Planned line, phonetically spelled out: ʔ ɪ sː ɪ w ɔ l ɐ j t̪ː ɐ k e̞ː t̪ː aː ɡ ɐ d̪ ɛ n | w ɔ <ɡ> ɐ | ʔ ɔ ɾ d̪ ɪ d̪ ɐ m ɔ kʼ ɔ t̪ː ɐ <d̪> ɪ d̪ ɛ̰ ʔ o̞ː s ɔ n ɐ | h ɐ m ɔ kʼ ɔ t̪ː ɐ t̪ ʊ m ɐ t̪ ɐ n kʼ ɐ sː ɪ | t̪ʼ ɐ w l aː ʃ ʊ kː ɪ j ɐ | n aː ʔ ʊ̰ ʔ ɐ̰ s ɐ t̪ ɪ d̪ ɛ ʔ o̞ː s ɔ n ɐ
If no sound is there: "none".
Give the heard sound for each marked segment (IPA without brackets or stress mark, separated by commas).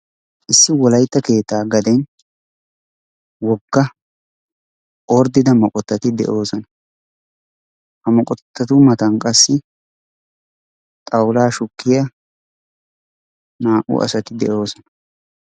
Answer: ɡː, t̪